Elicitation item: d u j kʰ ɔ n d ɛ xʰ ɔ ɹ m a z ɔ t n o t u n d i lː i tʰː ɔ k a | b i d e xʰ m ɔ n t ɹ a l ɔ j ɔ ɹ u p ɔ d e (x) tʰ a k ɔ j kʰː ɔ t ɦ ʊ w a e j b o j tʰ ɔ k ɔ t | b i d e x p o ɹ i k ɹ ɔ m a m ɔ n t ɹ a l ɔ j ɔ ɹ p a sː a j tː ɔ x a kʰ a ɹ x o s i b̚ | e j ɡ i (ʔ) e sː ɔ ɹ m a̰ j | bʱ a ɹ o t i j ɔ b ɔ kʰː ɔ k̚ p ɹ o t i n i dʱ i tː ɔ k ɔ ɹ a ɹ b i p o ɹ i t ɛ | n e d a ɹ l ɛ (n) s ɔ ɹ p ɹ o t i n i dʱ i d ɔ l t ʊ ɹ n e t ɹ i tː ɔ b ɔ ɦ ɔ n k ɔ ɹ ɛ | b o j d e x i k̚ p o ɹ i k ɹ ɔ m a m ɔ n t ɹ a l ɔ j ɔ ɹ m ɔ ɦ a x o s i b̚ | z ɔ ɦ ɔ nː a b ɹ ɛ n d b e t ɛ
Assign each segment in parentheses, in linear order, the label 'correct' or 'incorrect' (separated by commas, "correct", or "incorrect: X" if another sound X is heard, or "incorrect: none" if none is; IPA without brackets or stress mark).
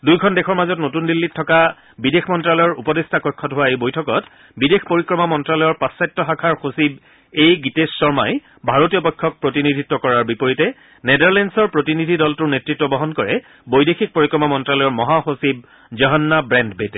incorrect: s, incorrect: t, correct